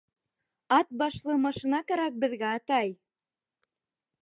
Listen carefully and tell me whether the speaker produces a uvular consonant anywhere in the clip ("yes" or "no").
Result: no